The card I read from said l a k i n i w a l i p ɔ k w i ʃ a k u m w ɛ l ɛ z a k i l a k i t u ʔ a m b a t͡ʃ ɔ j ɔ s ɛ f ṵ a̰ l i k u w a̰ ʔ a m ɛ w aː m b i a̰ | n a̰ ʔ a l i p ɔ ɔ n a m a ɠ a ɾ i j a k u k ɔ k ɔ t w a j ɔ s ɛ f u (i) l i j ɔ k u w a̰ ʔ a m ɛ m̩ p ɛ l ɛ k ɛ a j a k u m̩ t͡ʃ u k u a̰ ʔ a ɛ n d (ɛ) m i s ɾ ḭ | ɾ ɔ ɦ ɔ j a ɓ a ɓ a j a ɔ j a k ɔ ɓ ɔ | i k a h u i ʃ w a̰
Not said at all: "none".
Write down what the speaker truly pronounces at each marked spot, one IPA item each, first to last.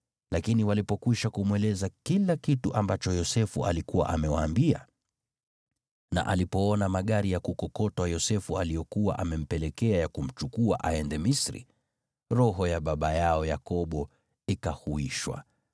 a, ɛ

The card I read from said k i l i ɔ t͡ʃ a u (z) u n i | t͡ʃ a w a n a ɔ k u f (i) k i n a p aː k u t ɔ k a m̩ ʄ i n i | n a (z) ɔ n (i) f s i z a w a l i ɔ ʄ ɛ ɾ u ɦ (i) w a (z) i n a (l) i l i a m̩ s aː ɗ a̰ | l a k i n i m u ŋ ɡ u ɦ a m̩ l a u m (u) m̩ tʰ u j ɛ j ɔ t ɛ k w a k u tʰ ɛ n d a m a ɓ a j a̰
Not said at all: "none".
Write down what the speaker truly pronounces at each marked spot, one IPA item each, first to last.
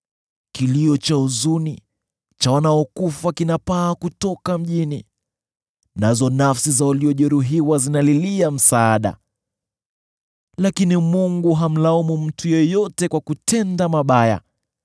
z, a, z, a, i, z, l, u

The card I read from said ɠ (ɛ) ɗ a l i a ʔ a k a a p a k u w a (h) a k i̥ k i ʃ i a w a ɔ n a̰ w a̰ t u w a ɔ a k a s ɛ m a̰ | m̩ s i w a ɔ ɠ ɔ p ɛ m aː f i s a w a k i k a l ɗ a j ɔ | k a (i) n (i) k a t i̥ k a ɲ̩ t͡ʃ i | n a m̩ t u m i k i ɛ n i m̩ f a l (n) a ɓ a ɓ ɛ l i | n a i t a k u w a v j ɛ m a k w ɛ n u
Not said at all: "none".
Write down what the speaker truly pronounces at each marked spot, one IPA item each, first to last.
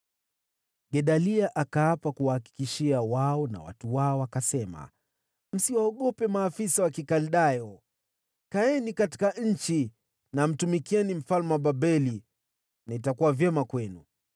ɛ, h, ɛ, i, m

